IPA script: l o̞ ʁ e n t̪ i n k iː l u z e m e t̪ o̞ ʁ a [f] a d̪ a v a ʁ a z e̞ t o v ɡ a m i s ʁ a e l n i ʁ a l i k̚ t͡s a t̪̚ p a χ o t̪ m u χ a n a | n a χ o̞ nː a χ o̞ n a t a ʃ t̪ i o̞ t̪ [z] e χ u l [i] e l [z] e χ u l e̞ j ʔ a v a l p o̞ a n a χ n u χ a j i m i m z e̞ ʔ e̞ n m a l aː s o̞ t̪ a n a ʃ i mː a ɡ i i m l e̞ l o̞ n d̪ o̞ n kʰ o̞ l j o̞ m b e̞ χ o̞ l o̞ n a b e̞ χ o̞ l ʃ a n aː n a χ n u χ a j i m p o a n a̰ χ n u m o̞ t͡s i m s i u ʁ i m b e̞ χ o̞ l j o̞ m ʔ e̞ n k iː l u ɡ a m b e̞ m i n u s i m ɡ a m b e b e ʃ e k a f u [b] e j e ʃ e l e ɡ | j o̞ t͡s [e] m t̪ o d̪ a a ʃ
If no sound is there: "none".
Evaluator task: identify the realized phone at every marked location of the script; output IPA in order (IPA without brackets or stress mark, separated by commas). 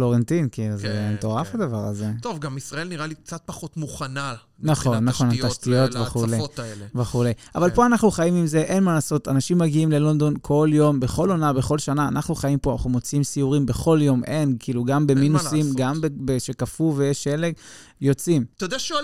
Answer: f, v, e, v, v, i